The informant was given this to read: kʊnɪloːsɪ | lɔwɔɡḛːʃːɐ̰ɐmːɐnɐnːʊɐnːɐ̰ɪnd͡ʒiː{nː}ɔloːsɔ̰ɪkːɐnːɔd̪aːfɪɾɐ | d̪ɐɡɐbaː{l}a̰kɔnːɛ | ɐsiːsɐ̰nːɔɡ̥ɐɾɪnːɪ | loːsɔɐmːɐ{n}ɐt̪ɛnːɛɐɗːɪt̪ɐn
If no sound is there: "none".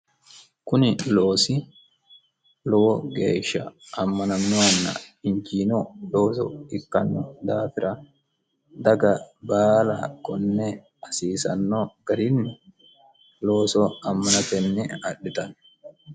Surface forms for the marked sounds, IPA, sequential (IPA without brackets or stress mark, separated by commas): n, l, n